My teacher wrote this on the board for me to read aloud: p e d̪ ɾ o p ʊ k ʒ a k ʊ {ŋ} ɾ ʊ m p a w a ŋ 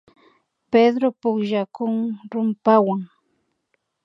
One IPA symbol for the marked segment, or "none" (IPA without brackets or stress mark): ŋ